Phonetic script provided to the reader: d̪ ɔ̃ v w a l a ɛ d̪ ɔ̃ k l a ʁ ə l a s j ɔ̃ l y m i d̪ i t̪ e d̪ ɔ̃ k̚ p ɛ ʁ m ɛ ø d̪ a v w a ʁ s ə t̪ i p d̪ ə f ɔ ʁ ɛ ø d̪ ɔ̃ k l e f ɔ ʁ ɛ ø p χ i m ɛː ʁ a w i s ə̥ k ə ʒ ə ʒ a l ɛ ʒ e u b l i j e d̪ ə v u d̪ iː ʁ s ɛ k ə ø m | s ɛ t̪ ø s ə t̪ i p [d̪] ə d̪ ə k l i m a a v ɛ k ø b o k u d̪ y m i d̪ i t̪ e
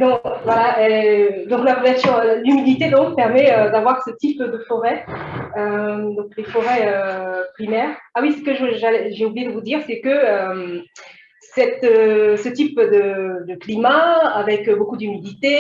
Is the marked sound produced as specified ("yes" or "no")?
yes